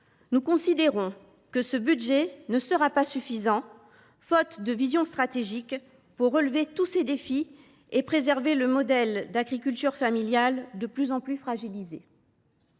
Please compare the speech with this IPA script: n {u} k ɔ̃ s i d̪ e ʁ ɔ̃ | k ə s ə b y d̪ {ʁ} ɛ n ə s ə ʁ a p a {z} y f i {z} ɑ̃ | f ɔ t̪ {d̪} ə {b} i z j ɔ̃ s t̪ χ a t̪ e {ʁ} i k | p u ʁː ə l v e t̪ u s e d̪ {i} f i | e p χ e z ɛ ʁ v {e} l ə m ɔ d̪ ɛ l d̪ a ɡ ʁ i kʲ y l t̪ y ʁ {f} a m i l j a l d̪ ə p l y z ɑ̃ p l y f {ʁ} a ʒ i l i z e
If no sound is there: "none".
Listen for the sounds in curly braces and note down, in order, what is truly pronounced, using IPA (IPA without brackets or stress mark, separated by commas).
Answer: u, ʒ, s, z, d̪, v, ʒ, e, e, f, χ